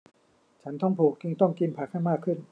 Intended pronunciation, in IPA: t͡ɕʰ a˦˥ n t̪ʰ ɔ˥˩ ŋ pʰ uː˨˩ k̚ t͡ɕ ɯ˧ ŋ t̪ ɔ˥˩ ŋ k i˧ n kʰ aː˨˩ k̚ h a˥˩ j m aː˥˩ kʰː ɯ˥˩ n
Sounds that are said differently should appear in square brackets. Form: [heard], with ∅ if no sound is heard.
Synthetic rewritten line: t͡ɕʰ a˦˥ n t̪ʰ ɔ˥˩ ŋ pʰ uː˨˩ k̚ t͡ɕ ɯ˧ ŋ t̪ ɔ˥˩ ŋ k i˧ n [pʰ] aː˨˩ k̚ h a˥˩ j m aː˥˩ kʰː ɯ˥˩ n